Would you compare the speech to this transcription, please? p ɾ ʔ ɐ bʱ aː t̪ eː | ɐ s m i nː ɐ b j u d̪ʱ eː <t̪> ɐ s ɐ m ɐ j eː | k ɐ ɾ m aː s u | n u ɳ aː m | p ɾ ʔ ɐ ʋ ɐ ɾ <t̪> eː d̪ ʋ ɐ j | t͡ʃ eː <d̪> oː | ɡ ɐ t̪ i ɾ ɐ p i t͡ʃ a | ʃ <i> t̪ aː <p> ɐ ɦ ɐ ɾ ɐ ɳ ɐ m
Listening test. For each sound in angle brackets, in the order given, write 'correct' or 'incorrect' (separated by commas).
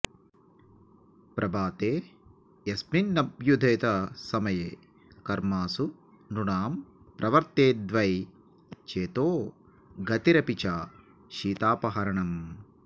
correct, correct, incorrect, incorrect, correct